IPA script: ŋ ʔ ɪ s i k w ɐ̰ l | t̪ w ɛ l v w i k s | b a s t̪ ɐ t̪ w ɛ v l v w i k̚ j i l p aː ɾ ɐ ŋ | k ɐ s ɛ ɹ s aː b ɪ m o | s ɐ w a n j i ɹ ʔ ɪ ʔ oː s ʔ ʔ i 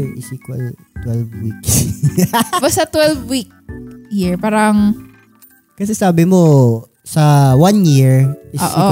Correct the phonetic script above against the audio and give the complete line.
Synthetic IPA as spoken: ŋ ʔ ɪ s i k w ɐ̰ l | t̪ w ɛ l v w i k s | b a s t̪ ɐ t̪ w ɛ l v w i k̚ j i ɹ p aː ɾ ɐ ŋ | k ɐ s ɛ s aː b ɪ m o | s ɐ w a n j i ɹ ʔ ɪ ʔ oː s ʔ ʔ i